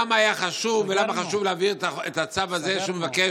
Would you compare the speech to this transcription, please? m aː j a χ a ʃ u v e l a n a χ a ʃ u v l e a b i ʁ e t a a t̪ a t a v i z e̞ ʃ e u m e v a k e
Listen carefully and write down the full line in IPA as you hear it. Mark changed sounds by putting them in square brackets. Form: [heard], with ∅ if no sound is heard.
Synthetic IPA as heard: m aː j a χ a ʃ u v e l a [m] a χ a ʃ u v l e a [v] i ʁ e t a [e] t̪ a [t͡s] a v [a] z e̞ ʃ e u m e v a k e